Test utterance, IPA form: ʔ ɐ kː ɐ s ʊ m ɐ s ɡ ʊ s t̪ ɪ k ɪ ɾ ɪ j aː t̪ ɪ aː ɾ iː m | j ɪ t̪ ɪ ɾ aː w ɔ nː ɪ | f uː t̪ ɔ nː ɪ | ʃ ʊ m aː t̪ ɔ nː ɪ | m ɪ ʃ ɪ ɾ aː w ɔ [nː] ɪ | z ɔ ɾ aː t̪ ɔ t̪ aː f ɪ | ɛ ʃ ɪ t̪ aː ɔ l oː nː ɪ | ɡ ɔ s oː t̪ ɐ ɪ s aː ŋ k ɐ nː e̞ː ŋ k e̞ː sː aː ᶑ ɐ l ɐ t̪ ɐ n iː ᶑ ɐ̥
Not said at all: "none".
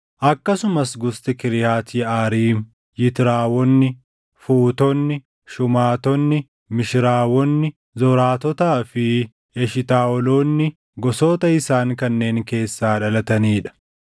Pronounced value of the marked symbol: nː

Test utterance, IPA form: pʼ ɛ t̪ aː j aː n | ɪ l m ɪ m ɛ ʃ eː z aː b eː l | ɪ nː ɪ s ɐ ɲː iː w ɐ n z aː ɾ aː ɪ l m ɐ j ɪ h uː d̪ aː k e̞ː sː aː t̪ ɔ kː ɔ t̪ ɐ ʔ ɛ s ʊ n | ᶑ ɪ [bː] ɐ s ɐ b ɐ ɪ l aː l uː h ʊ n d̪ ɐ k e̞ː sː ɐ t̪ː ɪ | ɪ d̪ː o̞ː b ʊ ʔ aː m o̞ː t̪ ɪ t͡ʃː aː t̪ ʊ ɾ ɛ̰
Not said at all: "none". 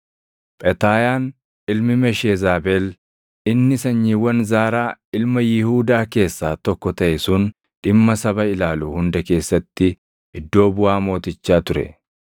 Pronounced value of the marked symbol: mː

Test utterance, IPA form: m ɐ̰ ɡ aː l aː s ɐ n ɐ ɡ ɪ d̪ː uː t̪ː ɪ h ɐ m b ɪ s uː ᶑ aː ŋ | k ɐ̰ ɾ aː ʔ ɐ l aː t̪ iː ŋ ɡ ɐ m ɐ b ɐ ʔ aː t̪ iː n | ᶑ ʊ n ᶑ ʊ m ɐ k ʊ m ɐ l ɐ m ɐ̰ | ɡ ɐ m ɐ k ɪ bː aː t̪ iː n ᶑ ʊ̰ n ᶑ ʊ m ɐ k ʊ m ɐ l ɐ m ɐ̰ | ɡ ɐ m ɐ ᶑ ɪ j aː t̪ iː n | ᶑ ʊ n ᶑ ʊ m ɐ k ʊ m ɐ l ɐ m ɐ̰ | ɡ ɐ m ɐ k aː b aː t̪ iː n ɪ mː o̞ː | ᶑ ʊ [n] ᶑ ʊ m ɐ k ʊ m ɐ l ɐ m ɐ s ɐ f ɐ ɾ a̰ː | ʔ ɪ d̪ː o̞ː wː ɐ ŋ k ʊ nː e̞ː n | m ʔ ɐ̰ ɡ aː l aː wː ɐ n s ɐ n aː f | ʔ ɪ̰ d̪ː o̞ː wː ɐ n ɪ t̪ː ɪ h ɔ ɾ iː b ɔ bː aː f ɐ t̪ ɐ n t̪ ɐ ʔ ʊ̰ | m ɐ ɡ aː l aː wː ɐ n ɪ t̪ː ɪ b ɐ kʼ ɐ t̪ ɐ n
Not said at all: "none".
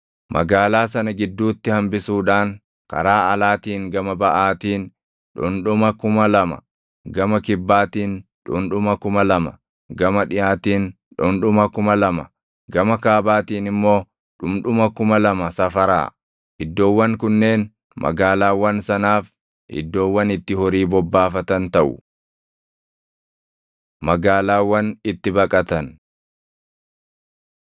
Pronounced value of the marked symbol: m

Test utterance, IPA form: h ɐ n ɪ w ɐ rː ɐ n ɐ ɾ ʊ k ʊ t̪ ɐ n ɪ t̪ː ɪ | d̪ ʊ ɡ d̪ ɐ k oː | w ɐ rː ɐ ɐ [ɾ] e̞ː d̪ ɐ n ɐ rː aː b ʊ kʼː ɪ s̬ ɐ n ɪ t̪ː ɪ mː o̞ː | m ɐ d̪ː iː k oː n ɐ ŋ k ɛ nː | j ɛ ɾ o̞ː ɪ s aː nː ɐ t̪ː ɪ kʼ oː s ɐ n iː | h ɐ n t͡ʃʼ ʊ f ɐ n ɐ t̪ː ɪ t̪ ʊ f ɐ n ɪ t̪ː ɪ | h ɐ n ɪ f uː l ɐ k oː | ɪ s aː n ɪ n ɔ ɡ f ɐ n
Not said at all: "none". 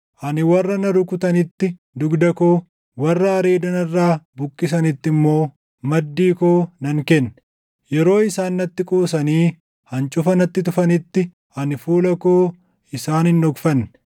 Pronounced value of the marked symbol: ɾ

